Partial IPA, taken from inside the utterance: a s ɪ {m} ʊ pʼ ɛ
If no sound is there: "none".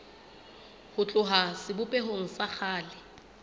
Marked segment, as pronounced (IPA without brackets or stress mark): b